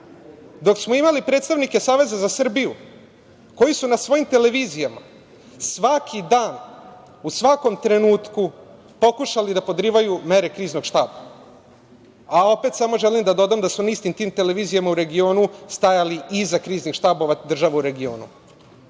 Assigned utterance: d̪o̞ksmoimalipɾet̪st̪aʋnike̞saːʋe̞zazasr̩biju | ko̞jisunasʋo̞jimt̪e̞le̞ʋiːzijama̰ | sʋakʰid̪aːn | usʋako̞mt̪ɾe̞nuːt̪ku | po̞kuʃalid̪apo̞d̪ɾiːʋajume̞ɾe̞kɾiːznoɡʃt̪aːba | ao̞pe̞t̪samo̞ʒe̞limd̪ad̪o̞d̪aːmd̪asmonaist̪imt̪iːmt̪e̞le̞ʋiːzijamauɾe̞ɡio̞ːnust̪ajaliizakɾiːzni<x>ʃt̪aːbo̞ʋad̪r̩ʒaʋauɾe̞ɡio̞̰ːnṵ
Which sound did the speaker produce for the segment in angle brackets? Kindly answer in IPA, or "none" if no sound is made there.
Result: x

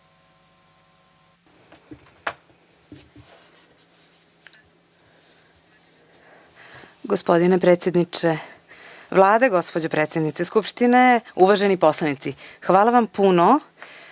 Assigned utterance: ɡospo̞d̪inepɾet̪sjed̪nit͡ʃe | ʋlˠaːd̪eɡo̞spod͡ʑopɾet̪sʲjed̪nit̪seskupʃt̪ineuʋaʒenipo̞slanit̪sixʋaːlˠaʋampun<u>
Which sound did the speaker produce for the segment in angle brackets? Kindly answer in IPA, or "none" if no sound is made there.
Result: o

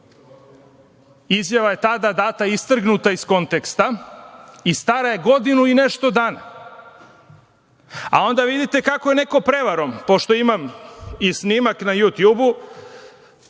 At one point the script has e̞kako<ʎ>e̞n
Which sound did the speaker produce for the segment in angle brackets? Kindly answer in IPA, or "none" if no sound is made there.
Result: j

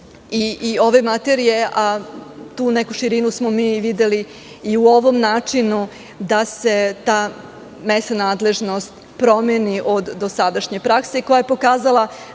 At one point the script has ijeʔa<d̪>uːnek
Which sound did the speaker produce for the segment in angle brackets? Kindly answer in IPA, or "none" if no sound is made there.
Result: t̪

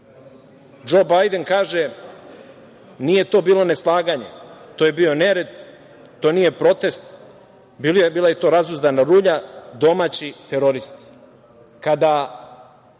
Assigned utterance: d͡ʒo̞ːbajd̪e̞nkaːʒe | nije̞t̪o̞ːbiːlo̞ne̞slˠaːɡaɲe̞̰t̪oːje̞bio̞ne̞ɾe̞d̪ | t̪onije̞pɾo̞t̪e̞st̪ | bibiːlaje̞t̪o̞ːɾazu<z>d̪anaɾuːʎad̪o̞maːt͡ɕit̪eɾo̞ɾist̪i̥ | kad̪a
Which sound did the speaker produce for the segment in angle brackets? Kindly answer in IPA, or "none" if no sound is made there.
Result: z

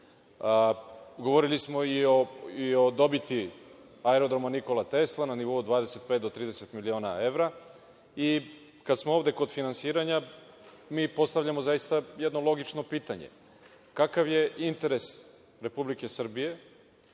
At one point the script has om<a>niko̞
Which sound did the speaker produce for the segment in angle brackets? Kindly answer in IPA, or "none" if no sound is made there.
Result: a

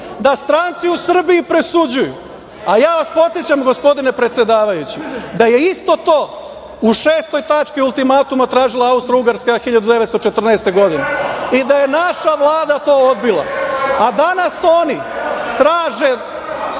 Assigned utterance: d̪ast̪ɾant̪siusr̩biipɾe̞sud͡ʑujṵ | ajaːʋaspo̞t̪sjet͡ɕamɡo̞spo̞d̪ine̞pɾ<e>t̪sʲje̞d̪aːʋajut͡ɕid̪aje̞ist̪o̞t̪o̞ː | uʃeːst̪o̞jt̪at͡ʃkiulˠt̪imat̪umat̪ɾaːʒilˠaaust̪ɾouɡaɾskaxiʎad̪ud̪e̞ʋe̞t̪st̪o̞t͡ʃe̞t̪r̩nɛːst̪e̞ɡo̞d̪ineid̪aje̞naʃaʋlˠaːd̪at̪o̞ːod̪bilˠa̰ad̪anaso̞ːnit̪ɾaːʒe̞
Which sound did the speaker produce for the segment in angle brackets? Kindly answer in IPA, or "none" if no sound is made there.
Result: e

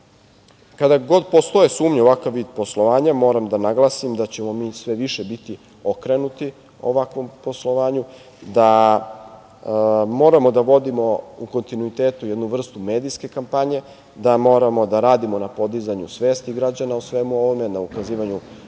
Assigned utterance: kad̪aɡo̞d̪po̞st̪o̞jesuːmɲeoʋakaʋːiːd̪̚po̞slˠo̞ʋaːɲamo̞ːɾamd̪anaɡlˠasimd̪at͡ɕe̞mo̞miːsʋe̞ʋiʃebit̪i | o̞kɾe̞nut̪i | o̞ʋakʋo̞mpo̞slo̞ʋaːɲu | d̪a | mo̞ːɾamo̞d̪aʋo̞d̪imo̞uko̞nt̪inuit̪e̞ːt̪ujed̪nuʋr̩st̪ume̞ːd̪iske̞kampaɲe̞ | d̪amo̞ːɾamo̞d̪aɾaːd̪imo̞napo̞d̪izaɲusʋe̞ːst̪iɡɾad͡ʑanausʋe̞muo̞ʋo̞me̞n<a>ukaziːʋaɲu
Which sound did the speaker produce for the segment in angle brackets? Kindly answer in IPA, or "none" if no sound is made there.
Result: a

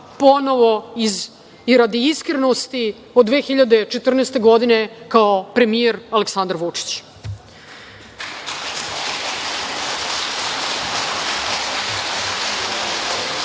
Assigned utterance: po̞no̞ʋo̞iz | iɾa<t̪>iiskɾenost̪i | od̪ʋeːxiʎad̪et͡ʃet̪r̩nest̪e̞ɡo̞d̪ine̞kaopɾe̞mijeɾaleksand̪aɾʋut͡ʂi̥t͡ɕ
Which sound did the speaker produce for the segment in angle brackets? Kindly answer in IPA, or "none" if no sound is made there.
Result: d̪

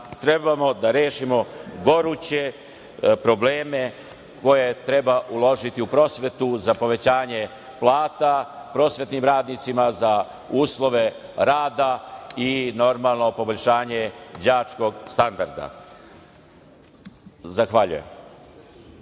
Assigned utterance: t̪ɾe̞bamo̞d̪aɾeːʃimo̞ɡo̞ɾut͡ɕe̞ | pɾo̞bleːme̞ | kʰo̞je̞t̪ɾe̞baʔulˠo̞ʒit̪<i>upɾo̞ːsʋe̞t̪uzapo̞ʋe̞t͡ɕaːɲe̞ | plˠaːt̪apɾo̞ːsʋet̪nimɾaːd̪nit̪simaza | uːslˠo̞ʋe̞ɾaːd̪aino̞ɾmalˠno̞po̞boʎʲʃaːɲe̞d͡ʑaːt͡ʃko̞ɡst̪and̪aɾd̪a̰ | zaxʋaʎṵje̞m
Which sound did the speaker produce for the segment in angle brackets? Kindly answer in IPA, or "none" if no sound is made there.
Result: i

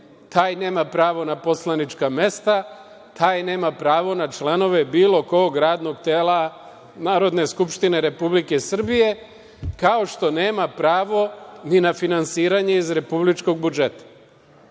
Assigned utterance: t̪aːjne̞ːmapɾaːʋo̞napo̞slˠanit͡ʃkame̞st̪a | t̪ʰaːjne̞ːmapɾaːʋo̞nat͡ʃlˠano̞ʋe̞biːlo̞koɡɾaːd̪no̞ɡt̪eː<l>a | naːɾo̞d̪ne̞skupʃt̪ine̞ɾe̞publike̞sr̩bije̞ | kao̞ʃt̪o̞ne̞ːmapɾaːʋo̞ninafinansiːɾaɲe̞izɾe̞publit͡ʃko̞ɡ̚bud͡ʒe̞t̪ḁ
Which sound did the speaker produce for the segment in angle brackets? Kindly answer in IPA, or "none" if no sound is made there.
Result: l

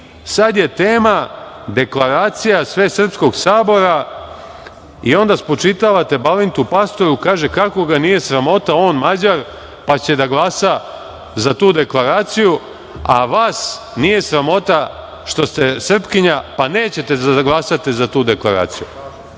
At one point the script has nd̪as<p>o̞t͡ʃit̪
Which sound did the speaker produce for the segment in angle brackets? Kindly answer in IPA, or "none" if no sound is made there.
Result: p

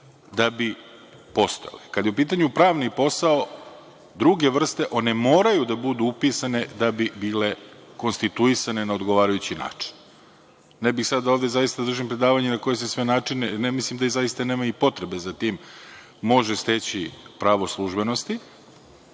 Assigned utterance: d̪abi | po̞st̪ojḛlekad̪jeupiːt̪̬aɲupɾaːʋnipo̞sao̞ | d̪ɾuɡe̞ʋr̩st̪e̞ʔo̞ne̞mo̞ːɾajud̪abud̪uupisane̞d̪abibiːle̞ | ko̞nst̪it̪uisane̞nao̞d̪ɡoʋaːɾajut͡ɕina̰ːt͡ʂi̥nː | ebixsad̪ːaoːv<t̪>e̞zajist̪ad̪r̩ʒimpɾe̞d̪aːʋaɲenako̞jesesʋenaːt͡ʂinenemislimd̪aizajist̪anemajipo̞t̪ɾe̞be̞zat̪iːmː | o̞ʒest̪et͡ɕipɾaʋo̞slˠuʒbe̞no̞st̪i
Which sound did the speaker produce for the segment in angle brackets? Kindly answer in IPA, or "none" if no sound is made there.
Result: d̪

